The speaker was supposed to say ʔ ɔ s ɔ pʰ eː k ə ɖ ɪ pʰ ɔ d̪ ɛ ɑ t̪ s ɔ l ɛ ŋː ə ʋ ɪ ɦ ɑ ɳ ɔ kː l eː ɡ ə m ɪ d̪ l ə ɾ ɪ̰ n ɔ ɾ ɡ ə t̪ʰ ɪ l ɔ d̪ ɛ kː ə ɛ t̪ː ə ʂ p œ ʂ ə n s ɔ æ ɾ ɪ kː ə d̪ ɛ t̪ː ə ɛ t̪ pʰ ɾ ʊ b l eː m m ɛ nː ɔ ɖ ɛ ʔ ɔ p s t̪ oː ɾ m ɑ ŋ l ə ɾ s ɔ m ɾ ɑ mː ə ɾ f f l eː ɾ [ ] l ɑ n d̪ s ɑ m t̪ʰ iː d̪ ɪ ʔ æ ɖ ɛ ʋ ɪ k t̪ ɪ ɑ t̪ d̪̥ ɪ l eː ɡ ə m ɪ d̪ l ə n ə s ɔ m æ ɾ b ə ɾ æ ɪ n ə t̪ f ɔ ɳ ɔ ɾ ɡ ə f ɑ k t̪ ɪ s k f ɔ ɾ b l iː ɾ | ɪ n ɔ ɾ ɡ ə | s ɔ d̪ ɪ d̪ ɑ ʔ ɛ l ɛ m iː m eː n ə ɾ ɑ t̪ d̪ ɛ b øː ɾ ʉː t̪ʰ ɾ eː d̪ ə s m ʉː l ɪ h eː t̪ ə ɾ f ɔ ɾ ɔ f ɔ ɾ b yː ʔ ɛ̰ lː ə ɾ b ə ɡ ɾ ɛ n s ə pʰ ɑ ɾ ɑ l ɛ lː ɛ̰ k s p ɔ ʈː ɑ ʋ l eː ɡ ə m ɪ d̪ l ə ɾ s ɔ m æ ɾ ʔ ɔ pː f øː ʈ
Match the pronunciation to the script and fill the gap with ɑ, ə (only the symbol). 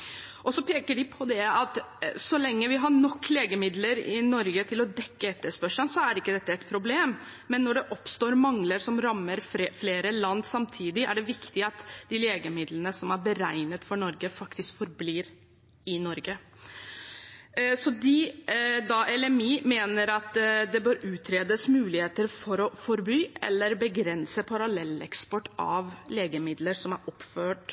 ə